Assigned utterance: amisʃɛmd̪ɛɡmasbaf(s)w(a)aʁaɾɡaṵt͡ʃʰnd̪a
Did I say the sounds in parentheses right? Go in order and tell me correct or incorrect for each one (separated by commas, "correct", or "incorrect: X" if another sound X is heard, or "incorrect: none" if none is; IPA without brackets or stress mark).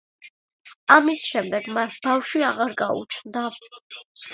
incorrect: ʃ, incorrect: i